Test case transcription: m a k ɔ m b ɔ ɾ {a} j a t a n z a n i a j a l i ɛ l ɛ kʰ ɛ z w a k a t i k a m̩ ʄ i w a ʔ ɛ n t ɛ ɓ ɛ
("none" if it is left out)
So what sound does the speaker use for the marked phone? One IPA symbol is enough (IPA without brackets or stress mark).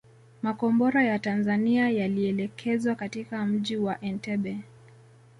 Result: a